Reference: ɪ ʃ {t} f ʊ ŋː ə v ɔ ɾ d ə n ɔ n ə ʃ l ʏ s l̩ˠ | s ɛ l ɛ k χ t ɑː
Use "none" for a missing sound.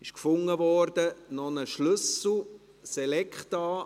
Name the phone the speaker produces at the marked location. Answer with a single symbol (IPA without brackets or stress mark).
k